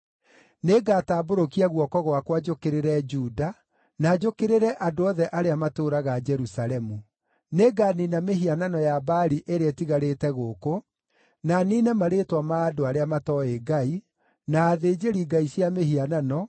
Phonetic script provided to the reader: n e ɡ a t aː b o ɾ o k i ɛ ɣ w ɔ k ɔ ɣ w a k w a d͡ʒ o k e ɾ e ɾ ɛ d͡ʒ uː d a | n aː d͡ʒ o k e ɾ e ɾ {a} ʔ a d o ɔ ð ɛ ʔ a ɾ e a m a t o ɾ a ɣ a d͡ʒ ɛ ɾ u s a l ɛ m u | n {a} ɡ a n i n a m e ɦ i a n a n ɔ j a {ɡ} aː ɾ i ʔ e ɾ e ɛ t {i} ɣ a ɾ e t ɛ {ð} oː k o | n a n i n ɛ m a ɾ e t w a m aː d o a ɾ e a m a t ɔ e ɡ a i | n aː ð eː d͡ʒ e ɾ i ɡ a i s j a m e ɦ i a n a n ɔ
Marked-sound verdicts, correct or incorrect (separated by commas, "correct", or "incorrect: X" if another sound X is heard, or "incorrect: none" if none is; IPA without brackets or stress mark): incorrect: ɛ, incorrect: e, incorrect: b, correct, incorrect: ɣ